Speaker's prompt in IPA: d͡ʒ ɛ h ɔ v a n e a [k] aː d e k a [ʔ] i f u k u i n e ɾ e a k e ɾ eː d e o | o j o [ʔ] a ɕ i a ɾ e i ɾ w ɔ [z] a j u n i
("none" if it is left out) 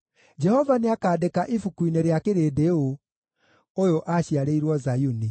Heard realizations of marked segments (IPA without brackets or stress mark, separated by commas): k, ʔ, ʔ, z